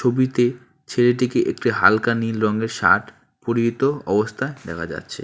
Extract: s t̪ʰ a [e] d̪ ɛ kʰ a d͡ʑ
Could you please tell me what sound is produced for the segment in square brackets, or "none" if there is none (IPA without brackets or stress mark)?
e